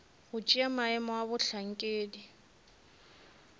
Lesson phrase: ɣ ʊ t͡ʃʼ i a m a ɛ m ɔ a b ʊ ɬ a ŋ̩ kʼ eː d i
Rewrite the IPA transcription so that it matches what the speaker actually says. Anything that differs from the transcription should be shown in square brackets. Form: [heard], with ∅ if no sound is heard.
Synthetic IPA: ɣ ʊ t͡ʃʼ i a m a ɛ m ɔ a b ʊ ɬ a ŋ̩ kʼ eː d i